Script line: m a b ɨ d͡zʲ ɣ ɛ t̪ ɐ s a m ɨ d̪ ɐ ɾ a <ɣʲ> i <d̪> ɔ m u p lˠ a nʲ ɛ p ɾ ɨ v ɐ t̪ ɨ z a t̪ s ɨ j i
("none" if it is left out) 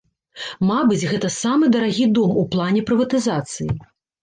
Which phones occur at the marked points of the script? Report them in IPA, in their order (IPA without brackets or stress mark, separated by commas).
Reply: ɣʲ, d̪